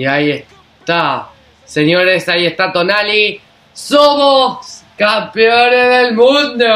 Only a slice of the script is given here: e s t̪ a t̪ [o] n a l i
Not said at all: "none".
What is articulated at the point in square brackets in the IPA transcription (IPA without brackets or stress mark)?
o